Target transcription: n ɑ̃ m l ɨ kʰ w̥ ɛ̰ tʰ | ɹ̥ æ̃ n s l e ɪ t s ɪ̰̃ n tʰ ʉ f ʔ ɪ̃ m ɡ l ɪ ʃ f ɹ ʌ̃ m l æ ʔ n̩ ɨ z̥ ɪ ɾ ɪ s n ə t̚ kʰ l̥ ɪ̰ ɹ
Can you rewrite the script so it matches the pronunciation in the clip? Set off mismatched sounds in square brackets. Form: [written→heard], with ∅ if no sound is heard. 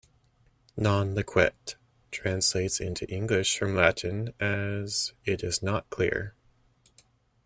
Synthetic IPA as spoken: n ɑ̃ [m→n] l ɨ kʰ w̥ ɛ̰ tʰ | ɹ̥ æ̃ n s l e ɪ t s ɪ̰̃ n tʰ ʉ [f→∅] ʔ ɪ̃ [m→ŋ] ɡ l ɪ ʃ f ɹ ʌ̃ m l æ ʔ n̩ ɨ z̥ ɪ ɾ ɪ [s→z] n ə t̚ kʰ l̥ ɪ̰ ɹ